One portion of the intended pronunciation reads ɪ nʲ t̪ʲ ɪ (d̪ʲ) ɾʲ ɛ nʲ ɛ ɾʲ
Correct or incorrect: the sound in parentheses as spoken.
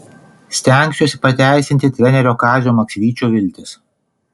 incorrect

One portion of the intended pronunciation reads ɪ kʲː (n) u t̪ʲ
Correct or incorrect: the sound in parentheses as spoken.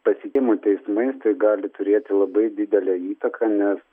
incorrect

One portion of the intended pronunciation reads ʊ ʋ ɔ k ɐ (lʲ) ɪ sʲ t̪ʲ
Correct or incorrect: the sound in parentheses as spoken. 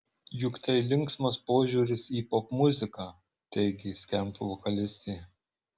correct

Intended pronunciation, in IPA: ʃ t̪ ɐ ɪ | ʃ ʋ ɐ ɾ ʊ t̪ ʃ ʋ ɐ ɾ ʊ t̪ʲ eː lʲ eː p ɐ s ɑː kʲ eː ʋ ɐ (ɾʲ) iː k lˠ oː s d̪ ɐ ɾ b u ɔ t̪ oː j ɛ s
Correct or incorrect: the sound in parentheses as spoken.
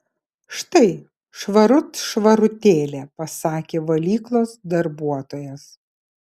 incorrect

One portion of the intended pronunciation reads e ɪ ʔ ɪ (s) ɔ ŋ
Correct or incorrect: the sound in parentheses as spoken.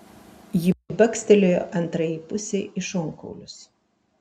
incorrect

